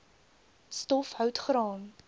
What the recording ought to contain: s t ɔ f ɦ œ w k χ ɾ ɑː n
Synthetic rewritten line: s t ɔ f ɦ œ w t χ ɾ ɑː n